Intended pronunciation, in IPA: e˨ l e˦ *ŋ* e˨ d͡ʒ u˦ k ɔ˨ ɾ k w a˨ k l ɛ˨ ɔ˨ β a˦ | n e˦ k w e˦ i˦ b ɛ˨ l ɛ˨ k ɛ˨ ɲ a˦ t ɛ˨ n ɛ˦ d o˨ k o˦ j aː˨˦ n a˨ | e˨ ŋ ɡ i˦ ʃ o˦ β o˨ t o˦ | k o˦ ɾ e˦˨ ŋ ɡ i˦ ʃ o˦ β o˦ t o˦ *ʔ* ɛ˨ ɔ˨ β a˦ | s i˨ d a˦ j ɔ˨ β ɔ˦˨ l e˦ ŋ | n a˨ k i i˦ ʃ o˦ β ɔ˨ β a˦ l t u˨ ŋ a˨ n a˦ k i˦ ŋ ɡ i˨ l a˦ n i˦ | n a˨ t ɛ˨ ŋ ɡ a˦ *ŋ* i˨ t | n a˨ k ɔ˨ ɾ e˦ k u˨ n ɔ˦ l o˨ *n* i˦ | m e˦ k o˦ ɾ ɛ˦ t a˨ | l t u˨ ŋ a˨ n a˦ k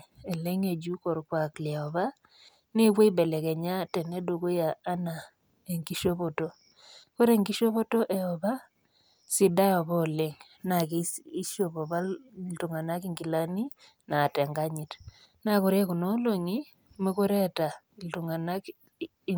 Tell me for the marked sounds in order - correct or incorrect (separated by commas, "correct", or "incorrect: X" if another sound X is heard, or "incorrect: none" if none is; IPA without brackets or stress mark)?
correct, correct, incorrect: ɲ, incorrect: ŋ